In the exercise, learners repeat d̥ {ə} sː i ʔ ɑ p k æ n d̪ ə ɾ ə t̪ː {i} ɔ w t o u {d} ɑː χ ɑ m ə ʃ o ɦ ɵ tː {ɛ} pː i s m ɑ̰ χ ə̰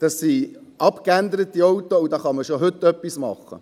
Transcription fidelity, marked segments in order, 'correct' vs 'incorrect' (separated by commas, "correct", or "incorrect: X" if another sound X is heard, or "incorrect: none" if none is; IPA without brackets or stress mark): incorrect: ɑ, correct, correct, incorrect: œ